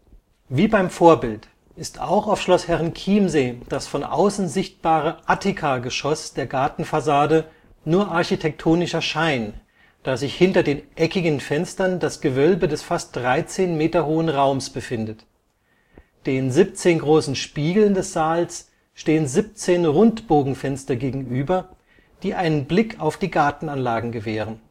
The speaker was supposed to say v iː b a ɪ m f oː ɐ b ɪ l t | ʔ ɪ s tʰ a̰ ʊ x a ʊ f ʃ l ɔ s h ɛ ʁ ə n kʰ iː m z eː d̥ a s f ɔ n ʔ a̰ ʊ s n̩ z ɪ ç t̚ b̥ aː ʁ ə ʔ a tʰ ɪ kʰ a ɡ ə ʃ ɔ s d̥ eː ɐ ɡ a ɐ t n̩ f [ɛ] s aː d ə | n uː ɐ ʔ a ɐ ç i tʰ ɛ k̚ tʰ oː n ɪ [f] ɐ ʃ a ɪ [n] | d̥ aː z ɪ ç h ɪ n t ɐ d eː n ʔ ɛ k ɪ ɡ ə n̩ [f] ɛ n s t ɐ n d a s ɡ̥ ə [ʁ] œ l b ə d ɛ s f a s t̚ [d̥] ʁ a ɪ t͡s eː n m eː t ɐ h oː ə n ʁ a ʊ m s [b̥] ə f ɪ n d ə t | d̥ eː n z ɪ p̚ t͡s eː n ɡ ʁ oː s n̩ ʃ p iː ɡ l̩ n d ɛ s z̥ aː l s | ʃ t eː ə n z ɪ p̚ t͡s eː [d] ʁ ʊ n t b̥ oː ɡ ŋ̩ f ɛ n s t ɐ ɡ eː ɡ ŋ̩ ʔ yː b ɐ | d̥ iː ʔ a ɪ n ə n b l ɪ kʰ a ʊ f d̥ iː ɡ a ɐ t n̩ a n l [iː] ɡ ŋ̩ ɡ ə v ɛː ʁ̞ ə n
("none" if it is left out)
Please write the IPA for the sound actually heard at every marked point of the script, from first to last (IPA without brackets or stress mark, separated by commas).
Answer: a, ʃ, n, f, v, d̥, b̥, n, aː